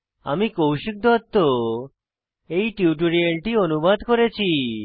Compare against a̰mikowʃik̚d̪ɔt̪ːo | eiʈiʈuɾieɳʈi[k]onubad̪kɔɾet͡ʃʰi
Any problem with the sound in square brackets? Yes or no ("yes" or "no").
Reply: yes